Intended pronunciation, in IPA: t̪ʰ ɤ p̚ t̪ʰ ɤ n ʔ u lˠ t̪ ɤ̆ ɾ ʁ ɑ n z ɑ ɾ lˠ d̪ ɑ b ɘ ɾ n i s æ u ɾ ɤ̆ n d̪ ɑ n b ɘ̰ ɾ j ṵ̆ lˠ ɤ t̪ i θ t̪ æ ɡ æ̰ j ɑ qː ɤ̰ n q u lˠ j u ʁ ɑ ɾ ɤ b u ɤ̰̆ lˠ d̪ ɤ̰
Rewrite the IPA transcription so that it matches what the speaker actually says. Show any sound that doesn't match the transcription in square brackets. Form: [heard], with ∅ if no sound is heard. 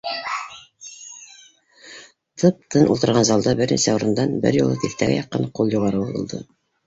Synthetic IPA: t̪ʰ ɤ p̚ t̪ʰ ɤ n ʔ u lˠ t̪ ɤ̆ ɾ ʁ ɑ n z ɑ [∅] lˠ d̪ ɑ b ɘ ɾ n i s æ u ɾ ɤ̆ n d̪ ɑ n b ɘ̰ ɾ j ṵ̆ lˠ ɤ t̪ i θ t̪ æ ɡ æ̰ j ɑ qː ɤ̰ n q u lˠ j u ʁ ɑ ɾ ɤ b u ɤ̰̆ lˠ d̪ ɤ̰